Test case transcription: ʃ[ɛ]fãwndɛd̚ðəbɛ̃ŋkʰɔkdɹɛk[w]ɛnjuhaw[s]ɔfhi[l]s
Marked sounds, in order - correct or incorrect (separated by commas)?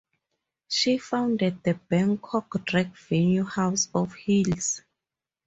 incorrect, incorrect, correct, correct